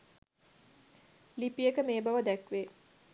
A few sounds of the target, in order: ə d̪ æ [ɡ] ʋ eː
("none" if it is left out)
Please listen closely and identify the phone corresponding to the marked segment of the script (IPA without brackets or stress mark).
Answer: k